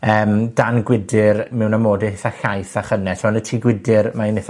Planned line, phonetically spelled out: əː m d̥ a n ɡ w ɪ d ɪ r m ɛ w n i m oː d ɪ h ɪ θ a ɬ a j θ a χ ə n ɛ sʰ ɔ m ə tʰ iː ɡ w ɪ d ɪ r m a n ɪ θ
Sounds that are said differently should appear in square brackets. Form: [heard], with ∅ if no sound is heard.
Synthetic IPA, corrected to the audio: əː m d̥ a n ɡ w ɪ d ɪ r m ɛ w n [a] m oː d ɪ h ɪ θ a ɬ a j θ a χ ə n ɛ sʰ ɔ [n] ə tʰ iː ɡ w ɪ d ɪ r m a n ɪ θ